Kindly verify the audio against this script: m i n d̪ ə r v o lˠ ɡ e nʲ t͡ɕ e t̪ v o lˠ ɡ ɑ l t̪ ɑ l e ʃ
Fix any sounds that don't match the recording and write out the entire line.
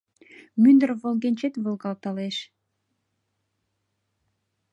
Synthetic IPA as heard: m y n d̪ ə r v o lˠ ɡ e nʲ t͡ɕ e t̪ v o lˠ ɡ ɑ l t̪ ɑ l e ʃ